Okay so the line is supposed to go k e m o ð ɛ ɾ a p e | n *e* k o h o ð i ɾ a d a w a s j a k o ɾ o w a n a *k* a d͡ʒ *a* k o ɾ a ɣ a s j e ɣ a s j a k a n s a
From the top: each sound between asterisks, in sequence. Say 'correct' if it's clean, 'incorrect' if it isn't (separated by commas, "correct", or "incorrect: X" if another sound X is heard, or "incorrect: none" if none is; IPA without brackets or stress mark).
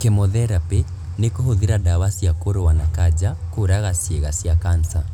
correct, correct, correct